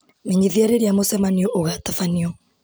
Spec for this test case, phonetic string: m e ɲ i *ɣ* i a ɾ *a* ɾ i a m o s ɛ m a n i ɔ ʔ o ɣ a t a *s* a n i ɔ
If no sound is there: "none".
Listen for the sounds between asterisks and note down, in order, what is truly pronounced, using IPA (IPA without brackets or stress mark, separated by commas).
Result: ð, e, f